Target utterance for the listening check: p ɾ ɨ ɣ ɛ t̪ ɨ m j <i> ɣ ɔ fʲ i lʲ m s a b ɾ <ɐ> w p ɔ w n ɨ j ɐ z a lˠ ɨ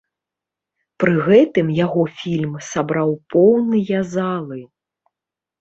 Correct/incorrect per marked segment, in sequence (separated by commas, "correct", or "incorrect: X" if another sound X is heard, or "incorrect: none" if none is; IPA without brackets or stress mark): incorrect: a, incorrect: a